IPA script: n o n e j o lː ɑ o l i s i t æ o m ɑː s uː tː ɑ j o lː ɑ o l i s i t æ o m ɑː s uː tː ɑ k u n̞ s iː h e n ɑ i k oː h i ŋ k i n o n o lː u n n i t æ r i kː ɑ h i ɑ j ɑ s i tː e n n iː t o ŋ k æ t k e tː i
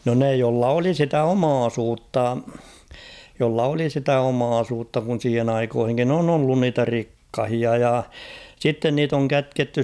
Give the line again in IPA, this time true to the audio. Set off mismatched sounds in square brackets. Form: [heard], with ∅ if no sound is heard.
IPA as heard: n o n e j o lː ɑ o l i s i t æ o m ɑː s uː tː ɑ j o lː ɑ o l i s i t æ o m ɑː s uː tː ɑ k u n̞ s iː h e n ɑ i k oː h i ŋ k i n o n o lː u n n [iː] t æ r i kː ɑ h i ɑ j ɑ s i tː e n n iː t o ŋ k æ t k e tː [y]

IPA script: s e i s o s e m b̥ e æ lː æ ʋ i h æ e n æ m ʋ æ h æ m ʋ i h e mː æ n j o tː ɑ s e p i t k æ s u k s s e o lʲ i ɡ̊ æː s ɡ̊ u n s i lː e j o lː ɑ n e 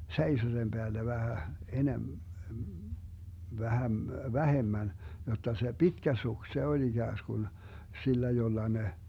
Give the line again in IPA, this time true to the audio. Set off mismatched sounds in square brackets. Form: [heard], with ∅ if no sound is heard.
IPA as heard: s e i s o s e m b̥ e æ lː æ ʋ [æ] h æ e n [e] m ʋ æ h æ m ʋ [æ] h e mː æ n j o tː ɑ s e p i t k æ s u k s s e o lʲ i ɡ̊ æː s ɡ̊ u n s i lː [æ] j o lː ɑ n e

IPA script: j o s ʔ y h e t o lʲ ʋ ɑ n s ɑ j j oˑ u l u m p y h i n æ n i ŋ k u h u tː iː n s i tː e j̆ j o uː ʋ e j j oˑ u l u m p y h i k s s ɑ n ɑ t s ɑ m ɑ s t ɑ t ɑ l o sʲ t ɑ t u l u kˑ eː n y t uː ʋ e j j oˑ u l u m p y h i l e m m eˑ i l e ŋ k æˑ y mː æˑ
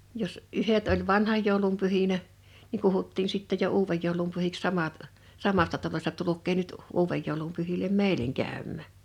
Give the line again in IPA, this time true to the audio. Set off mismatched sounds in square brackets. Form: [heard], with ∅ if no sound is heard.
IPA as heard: j o s ʔ y h e t o lʲ ʋ ɑ n [h] ɑ j j oˑ u l u m p y h i n æ n i ŋ k u h u tː iː n s i tː e j̆ j o uː ʋ e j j oˑ u l u m p y h i k s s ɑ [m] ɑ t s ɑ m ɑ s t ɑ t ɑ l o sʲ t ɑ t u l u kˑ eː n y t uː ʋ e j j oˑ u l u m p y h i l e m m eˑ i l e ŋ k æˑ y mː æˑ

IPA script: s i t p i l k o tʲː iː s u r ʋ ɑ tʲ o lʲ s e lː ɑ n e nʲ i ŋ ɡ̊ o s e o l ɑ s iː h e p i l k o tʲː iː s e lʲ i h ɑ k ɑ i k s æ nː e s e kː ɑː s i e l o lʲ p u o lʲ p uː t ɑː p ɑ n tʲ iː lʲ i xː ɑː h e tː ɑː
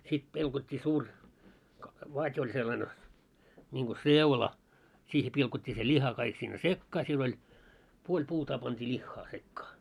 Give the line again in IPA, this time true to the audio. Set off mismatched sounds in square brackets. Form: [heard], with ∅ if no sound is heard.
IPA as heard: s i t p i l k o tʲː iː s [uː] r ʋ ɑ tʲ o lʲ s e lː ɑ n e nʲ i ŋ ɡ̊ o s e [u] l ɑ s iː h e p i l k o tʲː iː s e lʲ i h ɑ k ɑ i k s [i] nː e s e kː ɑː s i e l o lʲ p u o lʲ p uː t ɑː p ɑ n tʲ iː lʲ i xː ɑː [s] e [kː] ɑː

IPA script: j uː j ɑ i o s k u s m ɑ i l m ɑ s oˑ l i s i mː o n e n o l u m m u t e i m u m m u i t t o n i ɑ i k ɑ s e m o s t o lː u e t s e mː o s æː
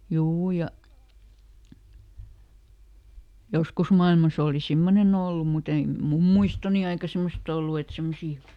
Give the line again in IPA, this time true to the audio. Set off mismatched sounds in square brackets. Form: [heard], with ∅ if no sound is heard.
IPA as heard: j uː j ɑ [j] o s k u s m ɑ i l m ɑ s oˑ l i s i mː o n e n o [lː] u m m u t e i m u m m u i [s] t o n i ɑ i k ɑ s e m o s t o lː u e t s e mː o s [iː]

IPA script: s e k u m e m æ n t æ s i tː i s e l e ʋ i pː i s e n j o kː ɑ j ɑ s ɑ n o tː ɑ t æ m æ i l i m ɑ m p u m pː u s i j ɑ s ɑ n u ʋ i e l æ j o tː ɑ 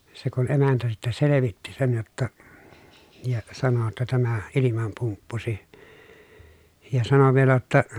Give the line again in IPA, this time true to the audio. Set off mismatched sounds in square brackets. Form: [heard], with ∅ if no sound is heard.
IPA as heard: s e k u [n] e m æ n t æ s i tː [æ] s e l e ʋ i [tː] i s e n j o [tː] ɑ j ɑ s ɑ n o tː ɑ t æ m æ i l i m ɑ m p u m pː u s i j ɑ s ɑ n [o] ʋ i e l æ j o tː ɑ

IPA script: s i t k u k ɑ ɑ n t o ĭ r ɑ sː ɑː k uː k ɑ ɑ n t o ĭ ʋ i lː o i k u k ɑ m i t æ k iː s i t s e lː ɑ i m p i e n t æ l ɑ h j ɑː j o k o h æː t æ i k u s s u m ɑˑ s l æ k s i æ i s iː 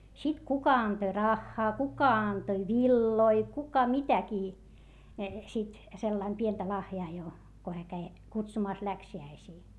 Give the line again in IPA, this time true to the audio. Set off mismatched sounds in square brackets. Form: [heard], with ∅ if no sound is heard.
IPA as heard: s i t k u k ɑ ɑ n t o ĭ r ɑ [xː] ɑː k [u] k ɑ ɑ n t o ĭ ʋ i lː o i k u k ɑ m i t æ k iː s i t s e lː ɑ i m p i e n t æ l ɑ h j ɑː j o k o h æː [k] æ i k u [t] s u m ɑˑ s l æ k s i æ i s iː

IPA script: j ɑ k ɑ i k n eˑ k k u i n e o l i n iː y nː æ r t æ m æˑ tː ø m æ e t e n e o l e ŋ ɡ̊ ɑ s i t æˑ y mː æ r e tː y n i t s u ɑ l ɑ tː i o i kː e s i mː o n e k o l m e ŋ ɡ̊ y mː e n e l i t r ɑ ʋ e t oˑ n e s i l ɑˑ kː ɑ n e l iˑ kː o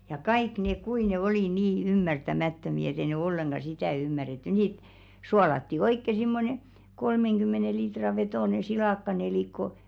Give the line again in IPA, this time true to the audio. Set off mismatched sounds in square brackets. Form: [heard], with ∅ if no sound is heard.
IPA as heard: j ɑ k ɑ i k n eˑ k k u i n e o l i n iː y [mː] æ r t æ m æˑ tː ø m [i] e t e n e o [lː] e ŋ ɡ̊ ɑ s i t æˑ y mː æ r e tː y n i t s u ɑ l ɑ tː i o i kː e s i mː o n e k o l m e ŋ ɡ̊ y mː e n e l i t r ɑ ʋ e t oˑ n e s i l ɑˑ kː ɑ n e l iˑ kː o

